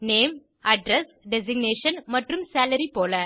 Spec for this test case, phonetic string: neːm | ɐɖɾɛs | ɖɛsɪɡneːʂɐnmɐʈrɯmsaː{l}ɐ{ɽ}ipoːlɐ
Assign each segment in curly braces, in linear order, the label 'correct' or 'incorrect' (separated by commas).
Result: correct, incorrect